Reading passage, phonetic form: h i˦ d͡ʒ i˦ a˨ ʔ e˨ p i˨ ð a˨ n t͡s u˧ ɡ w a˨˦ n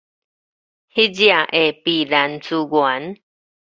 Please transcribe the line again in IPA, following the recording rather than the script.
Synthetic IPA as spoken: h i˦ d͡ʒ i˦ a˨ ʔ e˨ p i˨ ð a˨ n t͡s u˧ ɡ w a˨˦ n